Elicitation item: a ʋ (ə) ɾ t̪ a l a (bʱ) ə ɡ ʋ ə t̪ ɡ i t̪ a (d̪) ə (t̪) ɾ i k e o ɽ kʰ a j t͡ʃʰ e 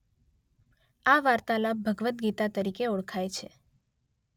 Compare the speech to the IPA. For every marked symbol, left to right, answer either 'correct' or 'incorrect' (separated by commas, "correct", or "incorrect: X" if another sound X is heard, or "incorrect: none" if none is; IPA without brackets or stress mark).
incorrect: a, correct, incorrect: t̪, incorrect: none